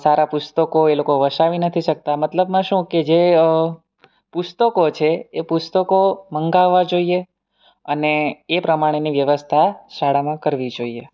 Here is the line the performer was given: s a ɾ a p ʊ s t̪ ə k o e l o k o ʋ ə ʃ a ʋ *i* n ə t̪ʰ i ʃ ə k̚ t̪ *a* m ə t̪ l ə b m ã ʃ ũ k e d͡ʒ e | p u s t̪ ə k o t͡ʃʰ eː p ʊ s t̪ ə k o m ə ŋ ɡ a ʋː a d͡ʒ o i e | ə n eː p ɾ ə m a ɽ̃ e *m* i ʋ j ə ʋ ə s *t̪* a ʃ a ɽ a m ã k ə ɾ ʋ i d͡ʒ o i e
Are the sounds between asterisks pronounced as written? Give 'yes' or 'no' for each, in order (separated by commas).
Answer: yes, yes, no, no